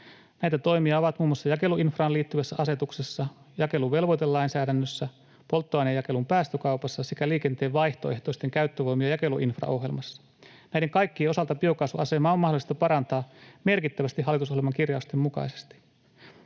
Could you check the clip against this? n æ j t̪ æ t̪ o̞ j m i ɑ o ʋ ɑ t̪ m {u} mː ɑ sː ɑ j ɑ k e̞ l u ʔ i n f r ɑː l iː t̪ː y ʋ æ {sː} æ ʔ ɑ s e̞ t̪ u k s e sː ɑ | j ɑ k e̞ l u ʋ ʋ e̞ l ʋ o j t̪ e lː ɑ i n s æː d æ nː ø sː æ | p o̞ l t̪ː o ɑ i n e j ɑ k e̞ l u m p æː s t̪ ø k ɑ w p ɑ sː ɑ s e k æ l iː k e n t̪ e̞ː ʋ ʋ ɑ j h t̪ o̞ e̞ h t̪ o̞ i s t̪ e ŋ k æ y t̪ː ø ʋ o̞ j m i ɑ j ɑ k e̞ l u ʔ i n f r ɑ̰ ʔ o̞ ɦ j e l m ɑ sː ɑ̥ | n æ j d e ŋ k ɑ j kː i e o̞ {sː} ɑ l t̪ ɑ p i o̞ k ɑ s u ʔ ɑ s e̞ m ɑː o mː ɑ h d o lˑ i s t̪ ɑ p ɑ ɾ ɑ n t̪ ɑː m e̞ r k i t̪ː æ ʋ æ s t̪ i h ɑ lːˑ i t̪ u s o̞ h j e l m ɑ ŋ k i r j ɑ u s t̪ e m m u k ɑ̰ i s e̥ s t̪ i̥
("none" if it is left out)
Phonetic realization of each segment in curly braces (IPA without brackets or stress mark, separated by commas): uː, sː, s